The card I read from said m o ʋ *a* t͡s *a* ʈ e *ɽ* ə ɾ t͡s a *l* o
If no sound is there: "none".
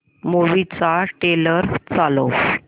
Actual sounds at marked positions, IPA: i, a, l, l

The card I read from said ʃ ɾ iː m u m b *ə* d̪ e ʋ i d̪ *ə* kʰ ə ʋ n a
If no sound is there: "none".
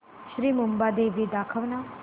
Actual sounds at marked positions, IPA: a, a

